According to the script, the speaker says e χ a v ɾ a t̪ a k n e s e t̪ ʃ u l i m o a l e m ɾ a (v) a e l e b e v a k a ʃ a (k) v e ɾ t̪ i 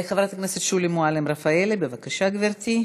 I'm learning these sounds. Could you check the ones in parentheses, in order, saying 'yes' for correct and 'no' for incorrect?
no, no

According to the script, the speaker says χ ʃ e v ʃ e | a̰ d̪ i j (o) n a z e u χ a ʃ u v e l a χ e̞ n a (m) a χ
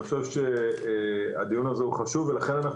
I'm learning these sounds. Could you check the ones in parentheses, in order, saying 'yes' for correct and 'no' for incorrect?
no, no

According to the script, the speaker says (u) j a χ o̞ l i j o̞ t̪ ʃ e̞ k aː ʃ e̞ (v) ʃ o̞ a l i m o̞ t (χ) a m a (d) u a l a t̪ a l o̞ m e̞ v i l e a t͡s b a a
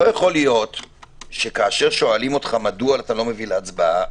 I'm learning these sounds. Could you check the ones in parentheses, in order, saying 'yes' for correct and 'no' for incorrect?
no, no, yes, yes

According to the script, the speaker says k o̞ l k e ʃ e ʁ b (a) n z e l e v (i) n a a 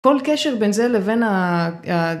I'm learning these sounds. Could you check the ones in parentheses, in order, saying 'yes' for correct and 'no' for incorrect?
no, no

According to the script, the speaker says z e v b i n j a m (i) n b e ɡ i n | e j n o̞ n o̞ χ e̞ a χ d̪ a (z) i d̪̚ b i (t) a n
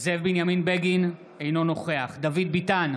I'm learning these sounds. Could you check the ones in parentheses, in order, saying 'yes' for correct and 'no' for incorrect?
yes, no, yes

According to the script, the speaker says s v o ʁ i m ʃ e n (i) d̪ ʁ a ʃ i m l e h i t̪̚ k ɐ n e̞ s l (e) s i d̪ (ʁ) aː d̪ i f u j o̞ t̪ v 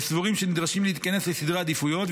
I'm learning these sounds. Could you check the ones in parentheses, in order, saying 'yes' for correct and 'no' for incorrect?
yes, yes, yes

